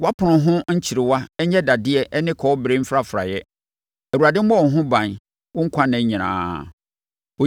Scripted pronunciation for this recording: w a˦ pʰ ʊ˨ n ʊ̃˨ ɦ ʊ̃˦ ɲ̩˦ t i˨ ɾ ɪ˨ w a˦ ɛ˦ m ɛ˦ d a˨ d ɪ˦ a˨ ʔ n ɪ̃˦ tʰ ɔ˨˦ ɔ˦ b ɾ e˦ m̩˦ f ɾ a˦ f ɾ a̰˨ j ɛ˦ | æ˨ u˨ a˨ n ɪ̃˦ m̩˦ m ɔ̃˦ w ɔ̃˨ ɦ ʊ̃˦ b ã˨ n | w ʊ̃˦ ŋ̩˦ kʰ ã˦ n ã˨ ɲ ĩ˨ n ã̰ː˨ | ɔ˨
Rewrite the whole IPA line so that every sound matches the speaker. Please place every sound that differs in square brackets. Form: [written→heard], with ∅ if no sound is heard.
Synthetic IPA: w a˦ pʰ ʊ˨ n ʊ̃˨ ɦ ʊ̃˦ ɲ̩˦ [t→t͡ɕʰ] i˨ ɾ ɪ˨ w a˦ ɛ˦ [m→ɲ] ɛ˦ d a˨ d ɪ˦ [a˨→ɛ˨] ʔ n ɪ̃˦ [tʰ→kʰ] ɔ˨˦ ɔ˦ b ɾ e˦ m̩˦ f ɾ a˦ f ɾ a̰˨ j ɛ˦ | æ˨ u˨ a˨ [n→d] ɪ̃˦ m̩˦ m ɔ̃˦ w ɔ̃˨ ɦ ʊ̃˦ b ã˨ n | w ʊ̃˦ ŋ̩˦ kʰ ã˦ n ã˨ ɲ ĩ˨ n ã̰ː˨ | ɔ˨